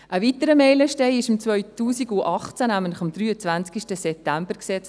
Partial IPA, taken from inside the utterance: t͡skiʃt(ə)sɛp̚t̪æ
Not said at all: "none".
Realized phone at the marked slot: ə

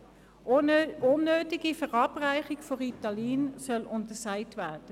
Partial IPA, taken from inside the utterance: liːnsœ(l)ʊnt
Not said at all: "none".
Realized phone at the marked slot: l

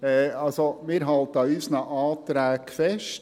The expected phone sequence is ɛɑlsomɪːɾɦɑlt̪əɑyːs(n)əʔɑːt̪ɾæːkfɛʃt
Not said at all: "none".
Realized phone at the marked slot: n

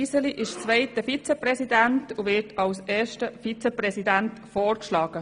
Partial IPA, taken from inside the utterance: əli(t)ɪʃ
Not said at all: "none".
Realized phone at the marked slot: ʔ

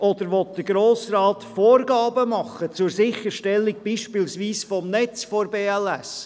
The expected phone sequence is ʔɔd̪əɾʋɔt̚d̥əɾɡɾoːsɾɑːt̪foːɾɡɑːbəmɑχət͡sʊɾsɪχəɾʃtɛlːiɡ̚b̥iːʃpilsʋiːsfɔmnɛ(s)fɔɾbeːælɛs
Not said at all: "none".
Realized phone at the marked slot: t͡s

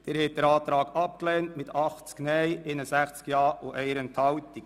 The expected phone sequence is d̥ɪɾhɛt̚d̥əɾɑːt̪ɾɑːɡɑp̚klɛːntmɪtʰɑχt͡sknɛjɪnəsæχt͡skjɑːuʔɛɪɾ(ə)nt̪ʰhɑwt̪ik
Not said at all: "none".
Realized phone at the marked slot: ə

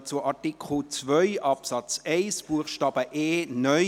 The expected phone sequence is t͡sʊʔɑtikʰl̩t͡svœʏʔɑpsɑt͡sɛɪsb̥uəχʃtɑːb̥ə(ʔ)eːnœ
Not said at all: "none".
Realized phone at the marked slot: ʔ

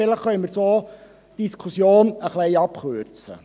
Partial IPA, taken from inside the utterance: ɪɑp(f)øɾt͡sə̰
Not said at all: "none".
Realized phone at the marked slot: χ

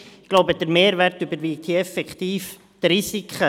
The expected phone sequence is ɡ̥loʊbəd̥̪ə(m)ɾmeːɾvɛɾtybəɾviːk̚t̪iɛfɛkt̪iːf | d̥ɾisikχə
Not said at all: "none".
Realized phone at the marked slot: none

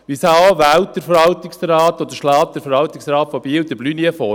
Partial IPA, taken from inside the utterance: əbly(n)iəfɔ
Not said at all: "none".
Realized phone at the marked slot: n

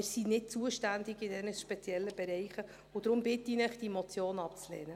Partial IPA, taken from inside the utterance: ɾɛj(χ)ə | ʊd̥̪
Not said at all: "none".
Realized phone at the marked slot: χ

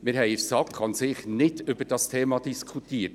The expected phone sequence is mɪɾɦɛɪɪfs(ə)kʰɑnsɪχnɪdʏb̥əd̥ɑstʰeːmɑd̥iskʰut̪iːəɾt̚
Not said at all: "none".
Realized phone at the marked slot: ɑ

